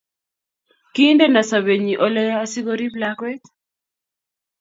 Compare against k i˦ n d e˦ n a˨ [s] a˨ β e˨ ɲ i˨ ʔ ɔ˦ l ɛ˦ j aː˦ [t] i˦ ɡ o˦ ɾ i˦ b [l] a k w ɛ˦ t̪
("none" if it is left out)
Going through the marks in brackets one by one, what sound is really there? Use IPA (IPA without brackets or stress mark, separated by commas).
s, s, l